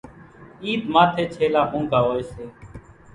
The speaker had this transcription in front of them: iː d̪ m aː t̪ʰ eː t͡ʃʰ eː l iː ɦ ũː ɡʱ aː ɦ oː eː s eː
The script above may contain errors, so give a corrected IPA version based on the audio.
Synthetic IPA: iː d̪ m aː t̪ʰ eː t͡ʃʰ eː l aː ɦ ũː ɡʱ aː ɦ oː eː s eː

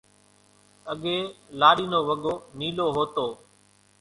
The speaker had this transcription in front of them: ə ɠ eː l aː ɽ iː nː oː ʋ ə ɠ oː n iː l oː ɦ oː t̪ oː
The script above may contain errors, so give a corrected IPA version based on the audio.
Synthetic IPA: ə ɠ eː l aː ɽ iː n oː ʋ ə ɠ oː n iː l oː ɦ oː t̪ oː

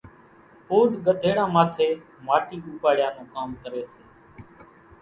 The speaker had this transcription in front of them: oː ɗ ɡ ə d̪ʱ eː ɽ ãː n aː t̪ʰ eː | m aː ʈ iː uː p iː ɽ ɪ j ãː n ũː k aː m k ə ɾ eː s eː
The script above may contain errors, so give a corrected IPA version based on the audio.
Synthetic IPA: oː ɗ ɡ ə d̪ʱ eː ɽ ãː m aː t̪ʰ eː | m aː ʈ iː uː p aː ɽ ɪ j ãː n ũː k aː m k ə ɾ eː s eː

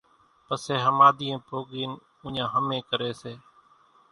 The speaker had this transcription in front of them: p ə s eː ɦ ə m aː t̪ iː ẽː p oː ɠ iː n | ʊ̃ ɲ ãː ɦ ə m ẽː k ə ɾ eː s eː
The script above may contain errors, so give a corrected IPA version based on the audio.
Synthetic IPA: p ə s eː ɦ ə m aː d̪ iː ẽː p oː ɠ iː n | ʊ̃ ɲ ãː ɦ ə m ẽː k ə ɾ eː s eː

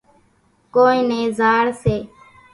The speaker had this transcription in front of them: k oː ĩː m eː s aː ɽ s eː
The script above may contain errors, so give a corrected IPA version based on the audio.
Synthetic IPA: k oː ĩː n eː z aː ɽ s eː

